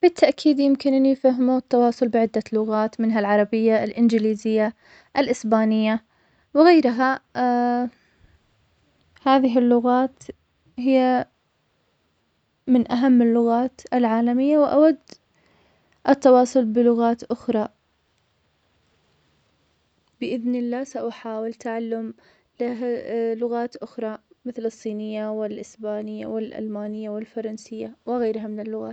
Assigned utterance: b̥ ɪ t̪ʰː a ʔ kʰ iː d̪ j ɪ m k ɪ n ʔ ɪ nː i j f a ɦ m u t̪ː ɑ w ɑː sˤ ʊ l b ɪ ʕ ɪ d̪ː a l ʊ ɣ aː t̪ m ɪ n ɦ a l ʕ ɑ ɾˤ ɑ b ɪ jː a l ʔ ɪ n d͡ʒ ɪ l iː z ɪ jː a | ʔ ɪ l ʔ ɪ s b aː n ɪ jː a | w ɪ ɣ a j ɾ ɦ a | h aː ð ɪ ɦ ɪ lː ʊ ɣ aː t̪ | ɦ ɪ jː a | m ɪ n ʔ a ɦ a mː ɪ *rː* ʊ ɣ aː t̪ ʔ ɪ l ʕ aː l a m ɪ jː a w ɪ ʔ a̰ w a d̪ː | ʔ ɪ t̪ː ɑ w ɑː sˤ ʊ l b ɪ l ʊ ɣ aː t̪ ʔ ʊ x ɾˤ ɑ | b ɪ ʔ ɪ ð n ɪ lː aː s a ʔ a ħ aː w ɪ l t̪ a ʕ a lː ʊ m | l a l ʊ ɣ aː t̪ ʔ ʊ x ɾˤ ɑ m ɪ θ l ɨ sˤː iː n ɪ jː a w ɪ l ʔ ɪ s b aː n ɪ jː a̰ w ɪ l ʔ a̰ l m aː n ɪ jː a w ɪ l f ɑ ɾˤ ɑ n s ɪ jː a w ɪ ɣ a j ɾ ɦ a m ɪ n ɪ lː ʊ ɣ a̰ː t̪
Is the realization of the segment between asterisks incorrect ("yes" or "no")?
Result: yes